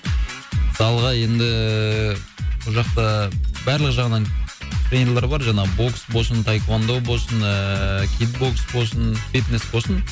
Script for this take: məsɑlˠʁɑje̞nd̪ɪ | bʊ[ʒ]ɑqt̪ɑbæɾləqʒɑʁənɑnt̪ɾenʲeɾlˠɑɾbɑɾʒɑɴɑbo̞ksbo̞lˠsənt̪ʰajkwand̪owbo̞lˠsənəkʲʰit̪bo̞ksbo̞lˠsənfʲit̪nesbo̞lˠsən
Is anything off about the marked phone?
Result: no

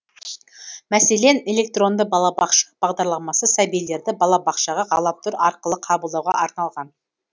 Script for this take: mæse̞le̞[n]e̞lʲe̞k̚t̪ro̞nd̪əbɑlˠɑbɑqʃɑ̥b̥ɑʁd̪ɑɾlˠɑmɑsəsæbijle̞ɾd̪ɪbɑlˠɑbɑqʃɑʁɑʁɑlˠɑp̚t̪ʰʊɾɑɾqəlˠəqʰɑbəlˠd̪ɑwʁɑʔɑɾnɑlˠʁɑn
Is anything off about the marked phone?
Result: no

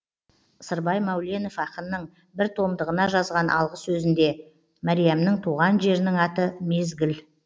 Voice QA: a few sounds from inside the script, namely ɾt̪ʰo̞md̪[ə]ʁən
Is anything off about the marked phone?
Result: no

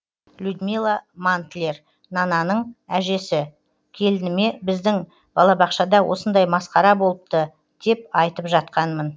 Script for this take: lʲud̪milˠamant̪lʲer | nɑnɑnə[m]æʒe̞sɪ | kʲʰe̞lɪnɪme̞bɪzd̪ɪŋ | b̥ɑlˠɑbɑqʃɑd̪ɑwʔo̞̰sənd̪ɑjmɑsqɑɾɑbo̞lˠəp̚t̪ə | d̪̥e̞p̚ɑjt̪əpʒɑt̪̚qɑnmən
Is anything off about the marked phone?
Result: yes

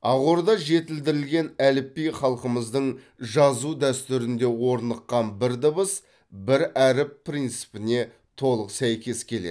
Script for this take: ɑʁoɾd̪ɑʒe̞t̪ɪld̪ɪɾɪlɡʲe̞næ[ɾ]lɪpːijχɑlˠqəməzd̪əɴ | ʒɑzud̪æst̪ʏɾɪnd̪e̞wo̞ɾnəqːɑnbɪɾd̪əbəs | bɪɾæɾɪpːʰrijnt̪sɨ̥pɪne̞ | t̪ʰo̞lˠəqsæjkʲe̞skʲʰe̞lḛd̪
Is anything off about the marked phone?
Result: yes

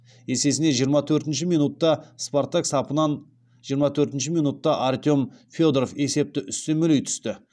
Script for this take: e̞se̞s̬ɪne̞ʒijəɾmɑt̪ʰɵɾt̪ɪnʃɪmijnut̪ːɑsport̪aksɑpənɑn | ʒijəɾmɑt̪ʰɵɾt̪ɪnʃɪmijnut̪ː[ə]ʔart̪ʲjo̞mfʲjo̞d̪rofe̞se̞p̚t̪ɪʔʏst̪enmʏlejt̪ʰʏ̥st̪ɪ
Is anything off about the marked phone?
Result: yes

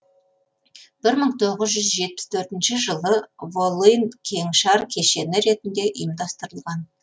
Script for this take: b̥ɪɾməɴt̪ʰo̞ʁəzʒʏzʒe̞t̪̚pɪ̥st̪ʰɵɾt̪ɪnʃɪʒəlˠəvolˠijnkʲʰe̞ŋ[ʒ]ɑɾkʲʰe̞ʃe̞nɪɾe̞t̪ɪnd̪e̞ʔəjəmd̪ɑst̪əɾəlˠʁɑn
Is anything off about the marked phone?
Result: yes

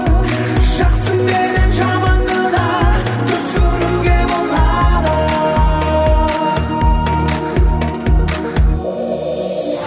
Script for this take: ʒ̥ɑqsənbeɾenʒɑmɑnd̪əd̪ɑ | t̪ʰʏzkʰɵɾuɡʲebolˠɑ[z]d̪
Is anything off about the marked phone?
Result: yes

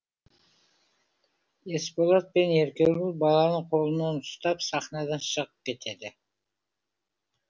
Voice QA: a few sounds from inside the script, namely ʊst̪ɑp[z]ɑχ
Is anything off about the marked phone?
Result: yes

